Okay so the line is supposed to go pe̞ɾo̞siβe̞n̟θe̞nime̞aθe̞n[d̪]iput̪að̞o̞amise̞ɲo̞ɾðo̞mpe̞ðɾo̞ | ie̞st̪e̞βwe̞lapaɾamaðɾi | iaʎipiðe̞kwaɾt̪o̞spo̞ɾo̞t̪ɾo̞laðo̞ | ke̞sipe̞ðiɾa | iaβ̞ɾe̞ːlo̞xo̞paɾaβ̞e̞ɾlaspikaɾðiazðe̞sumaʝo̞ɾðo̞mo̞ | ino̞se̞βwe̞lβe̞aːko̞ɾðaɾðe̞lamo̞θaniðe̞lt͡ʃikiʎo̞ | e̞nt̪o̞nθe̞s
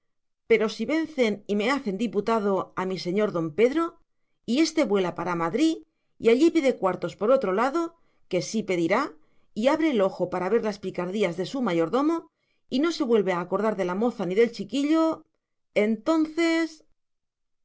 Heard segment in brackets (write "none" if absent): d̪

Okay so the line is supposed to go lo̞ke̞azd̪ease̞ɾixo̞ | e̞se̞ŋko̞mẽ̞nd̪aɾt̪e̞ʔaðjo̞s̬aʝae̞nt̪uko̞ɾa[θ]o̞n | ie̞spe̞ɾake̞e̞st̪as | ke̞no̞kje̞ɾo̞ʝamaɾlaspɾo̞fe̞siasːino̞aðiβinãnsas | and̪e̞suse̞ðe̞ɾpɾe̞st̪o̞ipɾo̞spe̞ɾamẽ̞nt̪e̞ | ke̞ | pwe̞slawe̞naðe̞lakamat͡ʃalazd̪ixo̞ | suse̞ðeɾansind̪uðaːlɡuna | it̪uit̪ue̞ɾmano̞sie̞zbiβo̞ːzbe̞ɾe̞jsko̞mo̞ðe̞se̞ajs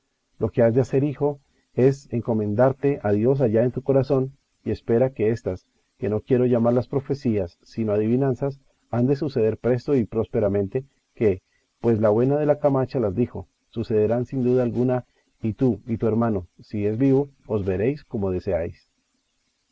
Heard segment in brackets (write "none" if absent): s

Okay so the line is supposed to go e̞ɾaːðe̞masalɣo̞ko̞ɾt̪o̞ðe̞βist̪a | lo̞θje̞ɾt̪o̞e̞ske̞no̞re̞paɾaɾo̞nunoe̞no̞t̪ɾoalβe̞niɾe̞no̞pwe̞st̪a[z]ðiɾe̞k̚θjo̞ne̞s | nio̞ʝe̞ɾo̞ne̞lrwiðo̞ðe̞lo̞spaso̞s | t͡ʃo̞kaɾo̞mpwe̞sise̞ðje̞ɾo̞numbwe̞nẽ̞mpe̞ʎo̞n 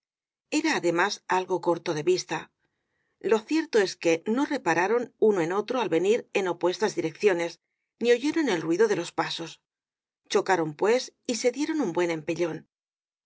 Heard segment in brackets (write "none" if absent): z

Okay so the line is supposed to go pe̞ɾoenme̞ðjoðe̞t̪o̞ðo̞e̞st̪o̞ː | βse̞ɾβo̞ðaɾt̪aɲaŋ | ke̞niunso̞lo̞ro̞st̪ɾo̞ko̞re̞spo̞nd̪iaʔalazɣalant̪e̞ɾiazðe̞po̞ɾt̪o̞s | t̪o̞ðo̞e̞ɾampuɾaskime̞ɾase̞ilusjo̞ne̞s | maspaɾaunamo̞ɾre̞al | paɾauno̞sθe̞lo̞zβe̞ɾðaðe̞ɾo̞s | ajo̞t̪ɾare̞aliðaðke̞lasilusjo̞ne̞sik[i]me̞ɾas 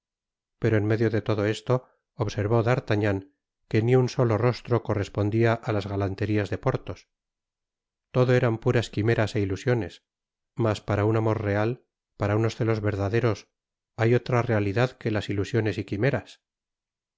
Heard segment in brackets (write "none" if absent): i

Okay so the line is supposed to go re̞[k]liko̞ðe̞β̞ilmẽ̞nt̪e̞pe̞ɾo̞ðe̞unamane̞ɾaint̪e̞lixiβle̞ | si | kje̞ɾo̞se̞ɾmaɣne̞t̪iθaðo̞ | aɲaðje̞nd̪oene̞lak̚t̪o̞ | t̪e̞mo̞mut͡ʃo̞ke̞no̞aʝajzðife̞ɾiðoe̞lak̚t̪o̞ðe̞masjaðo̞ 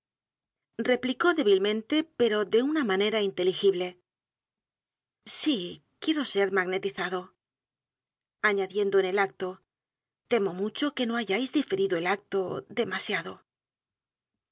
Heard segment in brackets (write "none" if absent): p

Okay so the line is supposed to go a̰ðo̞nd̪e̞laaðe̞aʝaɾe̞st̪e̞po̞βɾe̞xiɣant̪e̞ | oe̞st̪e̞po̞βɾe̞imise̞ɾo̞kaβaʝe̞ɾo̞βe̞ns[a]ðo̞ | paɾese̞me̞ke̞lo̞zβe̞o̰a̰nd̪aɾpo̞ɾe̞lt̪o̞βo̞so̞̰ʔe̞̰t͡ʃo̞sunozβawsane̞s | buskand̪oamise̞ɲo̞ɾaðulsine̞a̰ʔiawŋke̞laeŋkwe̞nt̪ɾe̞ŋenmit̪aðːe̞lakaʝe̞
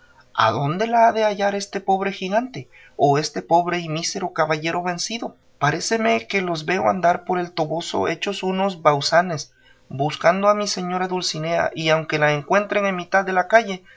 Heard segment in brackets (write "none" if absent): i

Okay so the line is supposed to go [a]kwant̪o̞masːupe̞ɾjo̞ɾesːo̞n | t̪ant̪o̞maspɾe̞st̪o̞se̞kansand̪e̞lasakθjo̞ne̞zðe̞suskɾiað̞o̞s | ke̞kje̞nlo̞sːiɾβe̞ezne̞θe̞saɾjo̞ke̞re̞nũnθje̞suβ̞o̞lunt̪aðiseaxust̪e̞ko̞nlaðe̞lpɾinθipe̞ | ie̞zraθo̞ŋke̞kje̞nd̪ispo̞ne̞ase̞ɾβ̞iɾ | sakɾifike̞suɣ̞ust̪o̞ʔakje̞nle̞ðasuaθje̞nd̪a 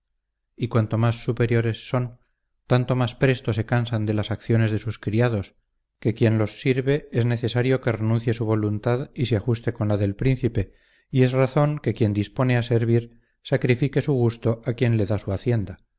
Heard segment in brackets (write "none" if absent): i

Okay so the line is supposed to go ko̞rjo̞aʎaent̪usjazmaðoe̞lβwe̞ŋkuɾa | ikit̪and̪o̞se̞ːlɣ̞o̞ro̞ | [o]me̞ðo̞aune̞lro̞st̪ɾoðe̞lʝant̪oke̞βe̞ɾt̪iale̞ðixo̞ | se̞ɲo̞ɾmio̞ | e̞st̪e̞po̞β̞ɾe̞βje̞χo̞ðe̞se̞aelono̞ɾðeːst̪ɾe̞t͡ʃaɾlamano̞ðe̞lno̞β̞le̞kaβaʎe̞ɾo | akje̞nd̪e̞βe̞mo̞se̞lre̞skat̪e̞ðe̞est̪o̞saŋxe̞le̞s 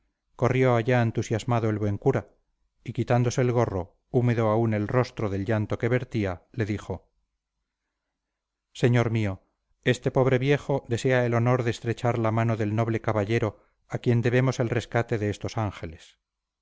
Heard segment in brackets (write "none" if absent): u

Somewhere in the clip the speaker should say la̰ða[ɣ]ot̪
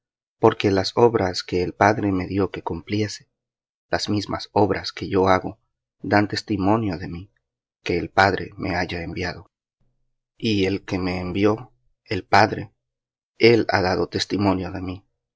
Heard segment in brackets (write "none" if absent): ð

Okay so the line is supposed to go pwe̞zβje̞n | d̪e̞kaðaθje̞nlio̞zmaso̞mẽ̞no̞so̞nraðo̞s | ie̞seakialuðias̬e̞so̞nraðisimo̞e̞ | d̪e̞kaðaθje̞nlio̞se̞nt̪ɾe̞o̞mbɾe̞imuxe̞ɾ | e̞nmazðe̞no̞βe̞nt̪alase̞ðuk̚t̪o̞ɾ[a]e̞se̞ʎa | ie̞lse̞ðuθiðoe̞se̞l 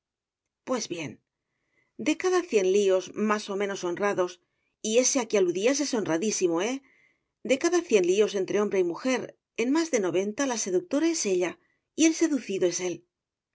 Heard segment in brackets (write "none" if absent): a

